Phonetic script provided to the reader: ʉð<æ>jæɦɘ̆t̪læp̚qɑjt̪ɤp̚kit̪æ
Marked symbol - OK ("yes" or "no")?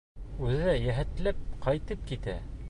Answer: yes